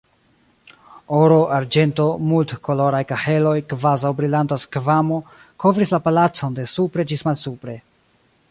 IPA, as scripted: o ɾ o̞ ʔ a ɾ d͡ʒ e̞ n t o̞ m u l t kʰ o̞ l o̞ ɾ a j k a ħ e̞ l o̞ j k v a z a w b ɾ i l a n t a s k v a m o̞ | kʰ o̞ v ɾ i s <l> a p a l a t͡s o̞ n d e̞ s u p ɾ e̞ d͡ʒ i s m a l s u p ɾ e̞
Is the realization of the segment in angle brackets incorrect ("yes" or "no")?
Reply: no